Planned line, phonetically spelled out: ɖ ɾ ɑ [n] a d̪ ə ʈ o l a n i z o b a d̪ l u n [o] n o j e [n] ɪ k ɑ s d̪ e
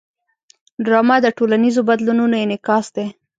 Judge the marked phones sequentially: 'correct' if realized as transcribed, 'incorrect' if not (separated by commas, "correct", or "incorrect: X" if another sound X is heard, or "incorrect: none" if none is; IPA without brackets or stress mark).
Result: incorrect: m, incorrect: u, correct